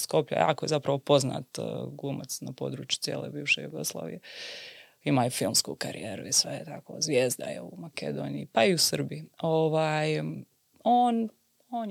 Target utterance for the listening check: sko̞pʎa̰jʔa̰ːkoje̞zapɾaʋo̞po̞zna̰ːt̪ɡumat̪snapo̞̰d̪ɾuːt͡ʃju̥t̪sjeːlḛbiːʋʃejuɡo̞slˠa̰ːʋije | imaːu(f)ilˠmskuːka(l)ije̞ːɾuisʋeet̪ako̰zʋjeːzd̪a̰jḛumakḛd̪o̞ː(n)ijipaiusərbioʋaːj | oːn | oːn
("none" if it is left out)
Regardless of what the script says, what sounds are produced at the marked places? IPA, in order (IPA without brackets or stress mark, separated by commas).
f, ɾ, n